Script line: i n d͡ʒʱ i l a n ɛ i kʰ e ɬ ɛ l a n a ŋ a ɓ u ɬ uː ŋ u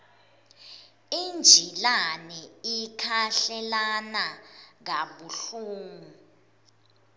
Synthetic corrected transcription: i n d͡ʒʱ i l a n ɛ i kʰ a ɬ ɛ l a n a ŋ a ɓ u ɬ uː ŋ u